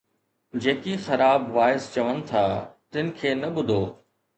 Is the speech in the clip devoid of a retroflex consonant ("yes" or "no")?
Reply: yes